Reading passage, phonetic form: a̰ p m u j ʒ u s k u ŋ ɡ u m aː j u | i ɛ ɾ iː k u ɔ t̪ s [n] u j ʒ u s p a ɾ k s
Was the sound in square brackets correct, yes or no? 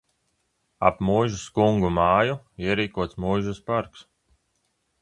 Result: no